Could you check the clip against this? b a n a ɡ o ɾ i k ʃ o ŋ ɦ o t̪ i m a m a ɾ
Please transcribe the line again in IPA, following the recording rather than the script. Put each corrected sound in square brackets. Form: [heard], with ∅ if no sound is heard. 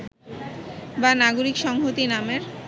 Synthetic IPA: b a n a ɡ o ɾ i k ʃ [ɔ] ŋ ɦ o t̪ i [n] a m [e] ɾ